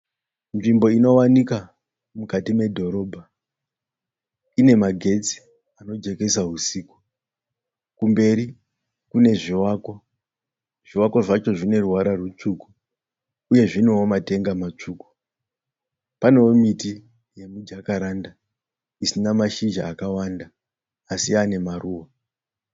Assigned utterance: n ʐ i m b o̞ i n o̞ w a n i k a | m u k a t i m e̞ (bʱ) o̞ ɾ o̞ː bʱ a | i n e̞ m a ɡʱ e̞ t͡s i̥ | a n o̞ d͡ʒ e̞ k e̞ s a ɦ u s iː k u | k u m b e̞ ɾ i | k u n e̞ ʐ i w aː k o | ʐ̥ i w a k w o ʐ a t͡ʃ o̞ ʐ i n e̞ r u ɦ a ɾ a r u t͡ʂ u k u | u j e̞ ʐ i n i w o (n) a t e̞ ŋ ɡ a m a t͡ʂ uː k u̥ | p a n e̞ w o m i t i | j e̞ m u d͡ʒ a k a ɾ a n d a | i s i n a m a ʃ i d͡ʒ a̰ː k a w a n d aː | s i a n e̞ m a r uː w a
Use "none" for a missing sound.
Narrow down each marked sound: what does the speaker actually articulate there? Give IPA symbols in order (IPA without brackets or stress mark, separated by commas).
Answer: dʱ, m